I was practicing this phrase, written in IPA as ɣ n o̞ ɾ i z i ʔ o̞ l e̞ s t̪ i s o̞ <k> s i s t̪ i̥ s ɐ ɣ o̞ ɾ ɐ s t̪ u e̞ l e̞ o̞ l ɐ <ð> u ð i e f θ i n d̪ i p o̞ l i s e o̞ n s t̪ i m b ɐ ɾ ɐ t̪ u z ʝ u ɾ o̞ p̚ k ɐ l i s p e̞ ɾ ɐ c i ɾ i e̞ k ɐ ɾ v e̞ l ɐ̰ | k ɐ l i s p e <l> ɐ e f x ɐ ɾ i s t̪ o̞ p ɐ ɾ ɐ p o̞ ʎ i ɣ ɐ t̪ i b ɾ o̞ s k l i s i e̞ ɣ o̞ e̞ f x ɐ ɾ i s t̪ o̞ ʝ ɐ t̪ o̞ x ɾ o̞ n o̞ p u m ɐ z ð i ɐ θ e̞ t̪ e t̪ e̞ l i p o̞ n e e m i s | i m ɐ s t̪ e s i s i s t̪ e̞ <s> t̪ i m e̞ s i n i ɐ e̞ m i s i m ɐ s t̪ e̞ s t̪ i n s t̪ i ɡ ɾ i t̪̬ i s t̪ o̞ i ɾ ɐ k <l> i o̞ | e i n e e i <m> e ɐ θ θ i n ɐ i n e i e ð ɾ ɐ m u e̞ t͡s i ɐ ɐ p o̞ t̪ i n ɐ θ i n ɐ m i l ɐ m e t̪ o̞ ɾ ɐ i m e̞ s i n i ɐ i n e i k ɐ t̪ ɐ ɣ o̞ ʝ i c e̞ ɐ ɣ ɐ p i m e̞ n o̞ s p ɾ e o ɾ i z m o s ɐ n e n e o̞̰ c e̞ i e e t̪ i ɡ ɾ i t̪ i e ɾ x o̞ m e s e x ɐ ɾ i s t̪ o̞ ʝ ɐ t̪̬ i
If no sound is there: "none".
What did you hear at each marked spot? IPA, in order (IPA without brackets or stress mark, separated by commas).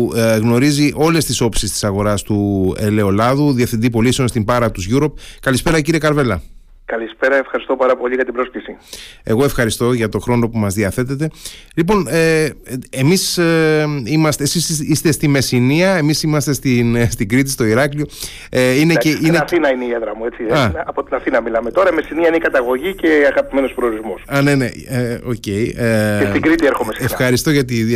p, ð, ɾ, s, l, n